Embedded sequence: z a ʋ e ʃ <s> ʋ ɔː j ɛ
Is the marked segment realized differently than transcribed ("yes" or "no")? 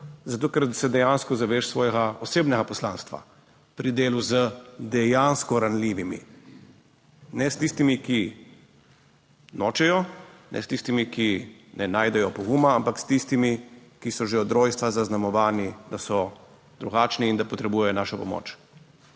no